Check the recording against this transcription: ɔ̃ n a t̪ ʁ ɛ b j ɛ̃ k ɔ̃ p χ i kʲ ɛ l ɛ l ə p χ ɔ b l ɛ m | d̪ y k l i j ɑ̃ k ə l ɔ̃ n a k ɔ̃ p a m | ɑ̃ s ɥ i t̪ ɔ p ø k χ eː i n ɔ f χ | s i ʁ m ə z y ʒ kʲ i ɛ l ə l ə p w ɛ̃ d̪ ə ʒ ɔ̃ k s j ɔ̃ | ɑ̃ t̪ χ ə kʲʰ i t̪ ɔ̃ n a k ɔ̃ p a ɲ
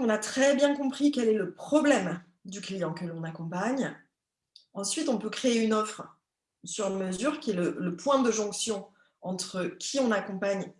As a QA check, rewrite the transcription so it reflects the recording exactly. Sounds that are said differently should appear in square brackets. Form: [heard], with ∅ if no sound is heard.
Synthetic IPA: ɔ̃ n a t̪ [χ] ɛ b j ɛ̃ k ɔ̃ p χ i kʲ ɛ l ɛ l ə p χ ɔ b l ɛ m | d̪ y k l i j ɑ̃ k ə l ɔ̃ n a k ɔ̃ p a [ɲ] | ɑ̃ s ɥ i t̪ [ɔ̃] p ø k χ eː [y] n ɔ f χ | s [y] ʁ m ə z y [ʁ] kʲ i ɛ l ə l ə p w ɛ̃ d̪ ə ʒ ɔ̃ k s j ɔ̃ | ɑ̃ t̪ χ ə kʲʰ i [∅] ɔ̃ n a k ɔ̃ p a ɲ